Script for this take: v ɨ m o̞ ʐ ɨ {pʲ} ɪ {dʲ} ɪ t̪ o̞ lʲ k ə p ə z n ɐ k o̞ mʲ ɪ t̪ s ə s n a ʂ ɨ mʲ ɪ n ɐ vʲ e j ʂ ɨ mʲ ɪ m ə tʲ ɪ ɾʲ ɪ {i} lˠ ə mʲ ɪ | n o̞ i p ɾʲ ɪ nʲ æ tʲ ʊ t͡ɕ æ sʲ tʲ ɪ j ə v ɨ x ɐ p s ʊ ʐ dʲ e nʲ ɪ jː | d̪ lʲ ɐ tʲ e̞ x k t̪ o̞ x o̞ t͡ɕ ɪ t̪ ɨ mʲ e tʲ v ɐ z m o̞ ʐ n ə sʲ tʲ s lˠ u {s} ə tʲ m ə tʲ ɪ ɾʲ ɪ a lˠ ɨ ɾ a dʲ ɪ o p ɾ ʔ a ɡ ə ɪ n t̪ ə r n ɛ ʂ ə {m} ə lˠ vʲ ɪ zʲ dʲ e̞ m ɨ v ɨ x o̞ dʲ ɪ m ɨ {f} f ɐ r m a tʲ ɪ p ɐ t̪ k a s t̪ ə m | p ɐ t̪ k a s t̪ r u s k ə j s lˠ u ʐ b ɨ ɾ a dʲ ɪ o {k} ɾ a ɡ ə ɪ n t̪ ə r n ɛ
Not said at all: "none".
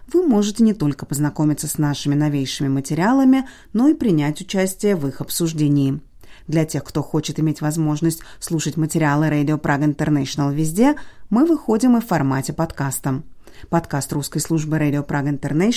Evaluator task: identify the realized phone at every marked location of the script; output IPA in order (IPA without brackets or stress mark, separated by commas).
tʲ, nʲ, a, ʂ, n, f, p